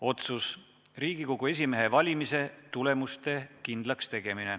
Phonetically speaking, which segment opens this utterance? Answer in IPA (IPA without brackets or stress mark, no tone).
o̞